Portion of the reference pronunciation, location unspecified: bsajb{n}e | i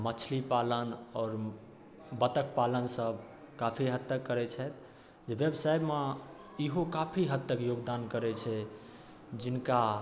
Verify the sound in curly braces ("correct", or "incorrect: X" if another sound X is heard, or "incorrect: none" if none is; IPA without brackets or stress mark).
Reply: incorrect: m